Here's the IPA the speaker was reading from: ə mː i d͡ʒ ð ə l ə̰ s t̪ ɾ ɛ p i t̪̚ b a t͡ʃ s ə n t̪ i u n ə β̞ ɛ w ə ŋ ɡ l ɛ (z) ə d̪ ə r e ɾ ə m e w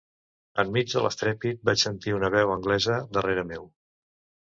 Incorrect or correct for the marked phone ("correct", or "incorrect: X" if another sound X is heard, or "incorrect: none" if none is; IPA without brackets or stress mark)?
correct